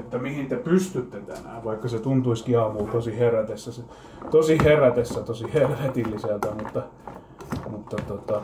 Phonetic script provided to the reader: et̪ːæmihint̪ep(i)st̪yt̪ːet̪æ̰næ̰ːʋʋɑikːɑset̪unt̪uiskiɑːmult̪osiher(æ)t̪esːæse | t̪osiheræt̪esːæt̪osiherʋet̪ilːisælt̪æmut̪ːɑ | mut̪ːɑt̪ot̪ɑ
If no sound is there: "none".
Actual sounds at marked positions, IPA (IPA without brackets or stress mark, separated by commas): y, æ